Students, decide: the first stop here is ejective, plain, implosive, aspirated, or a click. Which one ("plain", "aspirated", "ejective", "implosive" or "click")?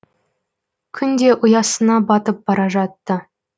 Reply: aspirated